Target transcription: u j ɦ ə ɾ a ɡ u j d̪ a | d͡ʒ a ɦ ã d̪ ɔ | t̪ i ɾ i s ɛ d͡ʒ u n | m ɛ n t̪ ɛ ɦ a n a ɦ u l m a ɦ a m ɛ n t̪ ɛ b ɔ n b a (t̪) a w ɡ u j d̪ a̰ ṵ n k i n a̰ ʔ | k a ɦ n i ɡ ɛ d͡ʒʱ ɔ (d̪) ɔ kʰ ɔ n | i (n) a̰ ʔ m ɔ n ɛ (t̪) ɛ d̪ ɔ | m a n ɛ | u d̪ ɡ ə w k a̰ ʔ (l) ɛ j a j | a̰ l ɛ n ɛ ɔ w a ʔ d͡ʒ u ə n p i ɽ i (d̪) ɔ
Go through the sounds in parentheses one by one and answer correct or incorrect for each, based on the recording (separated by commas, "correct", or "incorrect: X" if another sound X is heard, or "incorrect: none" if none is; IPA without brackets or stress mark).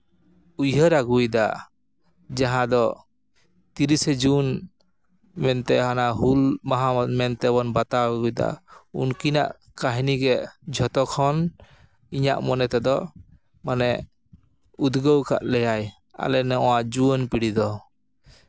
correct, incorrect: t̪, incorrect: ɲ, correct, correct, correct